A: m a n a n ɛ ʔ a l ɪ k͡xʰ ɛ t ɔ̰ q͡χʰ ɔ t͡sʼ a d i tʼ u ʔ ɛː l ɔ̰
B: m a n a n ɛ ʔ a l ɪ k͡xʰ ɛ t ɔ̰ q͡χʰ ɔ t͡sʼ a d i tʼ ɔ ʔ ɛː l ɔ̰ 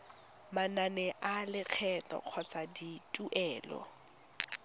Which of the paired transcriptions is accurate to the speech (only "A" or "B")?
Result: A